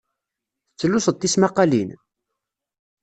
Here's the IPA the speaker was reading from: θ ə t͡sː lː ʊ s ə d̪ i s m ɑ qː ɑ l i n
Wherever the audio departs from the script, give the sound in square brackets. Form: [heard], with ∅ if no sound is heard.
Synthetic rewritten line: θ ə t͡sː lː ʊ s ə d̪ i s m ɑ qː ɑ l i n